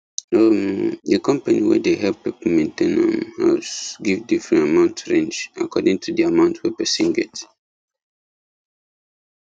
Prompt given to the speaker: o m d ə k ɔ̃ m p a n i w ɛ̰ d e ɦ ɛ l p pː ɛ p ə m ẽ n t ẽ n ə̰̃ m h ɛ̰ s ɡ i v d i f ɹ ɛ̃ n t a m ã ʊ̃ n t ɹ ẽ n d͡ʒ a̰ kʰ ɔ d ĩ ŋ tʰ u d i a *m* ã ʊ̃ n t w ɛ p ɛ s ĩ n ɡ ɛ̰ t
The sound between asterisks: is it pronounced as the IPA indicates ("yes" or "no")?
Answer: yes